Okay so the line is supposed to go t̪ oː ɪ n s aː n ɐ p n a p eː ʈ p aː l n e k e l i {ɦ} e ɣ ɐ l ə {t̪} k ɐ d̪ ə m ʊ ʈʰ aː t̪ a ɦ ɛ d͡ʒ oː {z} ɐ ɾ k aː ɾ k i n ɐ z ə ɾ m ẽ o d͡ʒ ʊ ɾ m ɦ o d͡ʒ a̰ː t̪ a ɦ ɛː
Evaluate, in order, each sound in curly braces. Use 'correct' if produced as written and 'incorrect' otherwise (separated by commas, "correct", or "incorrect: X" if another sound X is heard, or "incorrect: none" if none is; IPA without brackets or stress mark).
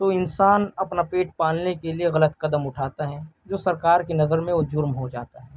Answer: incorrect: none, correct, incorrect: s